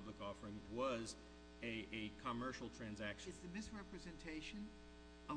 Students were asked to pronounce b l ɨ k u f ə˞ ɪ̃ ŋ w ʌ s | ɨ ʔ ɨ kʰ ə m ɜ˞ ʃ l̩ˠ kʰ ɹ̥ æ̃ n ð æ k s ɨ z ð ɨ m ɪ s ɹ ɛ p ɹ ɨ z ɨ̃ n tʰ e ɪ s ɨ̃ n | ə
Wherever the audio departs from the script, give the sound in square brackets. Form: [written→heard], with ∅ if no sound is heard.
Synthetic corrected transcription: b l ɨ k [u→ɔ] f ə˞ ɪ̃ ŋ w ʌ [s→z] | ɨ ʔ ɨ kʰ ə m ɜ˞ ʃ l̩ˠ [kʰ→tʰ] ɹ̥ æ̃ n [ð→z] æ k [s→ʃ] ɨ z ð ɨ m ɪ s ɹ ɛ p ɹ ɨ z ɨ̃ n tʰ e ɪ [s→ʃ] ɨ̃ n | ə